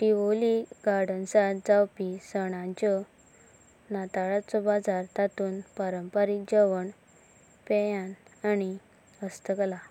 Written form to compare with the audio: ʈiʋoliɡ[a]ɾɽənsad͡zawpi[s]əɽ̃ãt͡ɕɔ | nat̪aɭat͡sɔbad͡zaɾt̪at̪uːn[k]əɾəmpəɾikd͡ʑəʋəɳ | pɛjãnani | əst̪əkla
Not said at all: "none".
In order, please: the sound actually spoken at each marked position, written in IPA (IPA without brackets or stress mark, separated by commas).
a, s, p